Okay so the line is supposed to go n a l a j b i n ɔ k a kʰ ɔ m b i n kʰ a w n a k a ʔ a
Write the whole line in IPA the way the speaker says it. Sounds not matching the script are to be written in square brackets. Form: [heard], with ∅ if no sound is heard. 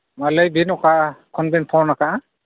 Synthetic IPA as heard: [m] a l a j b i n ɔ k a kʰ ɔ [n] b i n [pʰ] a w n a k a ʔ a